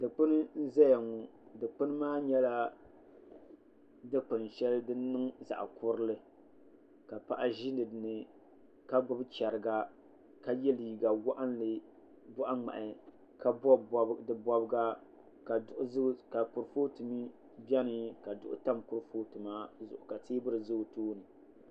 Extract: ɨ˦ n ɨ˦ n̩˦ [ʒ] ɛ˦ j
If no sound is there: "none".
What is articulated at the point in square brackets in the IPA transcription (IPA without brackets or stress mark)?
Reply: z